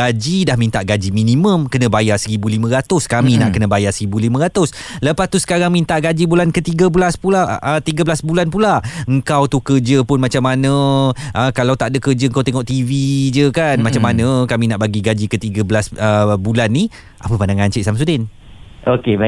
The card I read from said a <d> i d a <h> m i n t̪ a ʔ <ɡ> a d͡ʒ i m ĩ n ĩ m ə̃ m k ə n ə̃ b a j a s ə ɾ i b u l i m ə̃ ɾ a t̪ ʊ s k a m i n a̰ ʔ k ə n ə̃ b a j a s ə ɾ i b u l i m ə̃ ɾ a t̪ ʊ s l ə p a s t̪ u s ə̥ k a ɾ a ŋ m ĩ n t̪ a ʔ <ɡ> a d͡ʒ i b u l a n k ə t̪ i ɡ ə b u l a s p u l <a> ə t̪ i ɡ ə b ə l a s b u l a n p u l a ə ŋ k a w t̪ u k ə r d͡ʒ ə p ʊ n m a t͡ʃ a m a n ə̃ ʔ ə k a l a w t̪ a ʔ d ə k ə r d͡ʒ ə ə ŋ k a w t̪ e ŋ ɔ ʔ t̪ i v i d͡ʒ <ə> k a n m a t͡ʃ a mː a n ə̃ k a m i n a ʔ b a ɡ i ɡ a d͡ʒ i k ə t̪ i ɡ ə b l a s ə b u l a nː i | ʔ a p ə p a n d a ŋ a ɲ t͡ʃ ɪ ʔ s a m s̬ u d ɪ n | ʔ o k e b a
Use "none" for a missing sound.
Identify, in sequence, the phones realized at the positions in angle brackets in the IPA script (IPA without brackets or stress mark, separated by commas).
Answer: d͡ʒ, h, ɡ, ɡ, a, ə